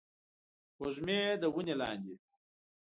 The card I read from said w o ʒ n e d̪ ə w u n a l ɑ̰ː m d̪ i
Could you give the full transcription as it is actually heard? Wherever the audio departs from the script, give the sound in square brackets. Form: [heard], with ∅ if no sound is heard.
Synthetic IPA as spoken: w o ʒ [m] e d̪ ə w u n [e] l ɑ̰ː [n] d̪ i